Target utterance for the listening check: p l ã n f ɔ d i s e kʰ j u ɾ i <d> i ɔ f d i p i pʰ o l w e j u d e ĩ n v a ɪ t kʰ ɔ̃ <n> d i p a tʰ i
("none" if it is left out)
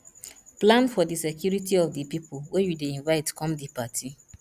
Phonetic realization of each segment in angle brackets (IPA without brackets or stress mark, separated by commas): t, m